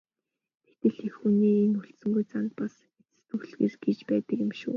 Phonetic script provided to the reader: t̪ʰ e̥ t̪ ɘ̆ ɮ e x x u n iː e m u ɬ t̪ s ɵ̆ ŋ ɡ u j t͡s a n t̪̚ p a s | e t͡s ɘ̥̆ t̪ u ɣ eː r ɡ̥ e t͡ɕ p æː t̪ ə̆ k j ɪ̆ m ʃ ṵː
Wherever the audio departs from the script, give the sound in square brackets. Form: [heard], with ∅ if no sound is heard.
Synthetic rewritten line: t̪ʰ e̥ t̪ ɘ̆ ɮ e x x u n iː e [n] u ɬ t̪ s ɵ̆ ŋ ɡ u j t͡s a n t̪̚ p a s | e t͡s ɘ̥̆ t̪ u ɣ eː r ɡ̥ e t͡ɕ p æː t̪ ə̆ k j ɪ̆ m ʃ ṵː